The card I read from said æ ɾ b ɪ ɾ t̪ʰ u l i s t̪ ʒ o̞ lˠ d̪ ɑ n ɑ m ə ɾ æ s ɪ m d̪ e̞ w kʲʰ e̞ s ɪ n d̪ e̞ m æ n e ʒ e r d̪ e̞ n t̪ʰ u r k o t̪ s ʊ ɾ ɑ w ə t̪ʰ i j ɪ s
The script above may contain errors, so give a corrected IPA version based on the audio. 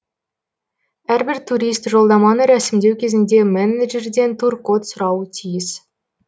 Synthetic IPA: æ ɾ b ɪ ɾ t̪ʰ u ɾ i s t̪ ʒ o̞ lˠ d̪ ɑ m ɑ n ə ɾ æ s ɪ m d̪ e̞ w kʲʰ e̞ z ɪ n d̪ e̞ m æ n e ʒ e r d̪ e̞ n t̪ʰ u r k o t̪ s ʊ ɾ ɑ w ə t̪ʰ i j ɪ s